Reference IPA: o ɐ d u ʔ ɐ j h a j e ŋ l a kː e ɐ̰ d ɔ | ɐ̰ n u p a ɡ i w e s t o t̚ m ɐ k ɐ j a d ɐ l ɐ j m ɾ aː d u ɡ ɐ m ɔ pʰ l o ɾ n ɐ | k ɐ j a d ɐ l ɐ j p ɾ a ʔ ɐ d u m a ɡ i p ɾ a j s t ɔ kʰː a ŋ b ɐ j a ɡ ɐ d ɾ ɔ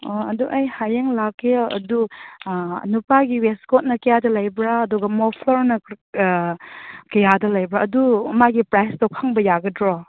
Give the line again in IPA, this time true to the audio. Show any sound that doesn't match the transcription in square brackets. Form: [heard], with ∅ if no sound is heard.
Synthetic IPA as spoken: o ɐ d u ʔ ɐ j h a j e ŋ l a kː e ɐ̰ d [u] | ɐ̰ n u p a ɡ i w e s [k] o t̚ [n] ɐ k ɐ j a d ɐ l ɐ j [b] ɾ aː d u ɡ ɐ m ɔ pʰ l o ɾ n ɐ | k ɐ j a d ɐ l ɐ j [b] ɾ a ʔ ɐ d u m a ɡ i p ɾ a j s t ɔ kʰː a ŋ b ɐ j a ɡ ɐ d ɾ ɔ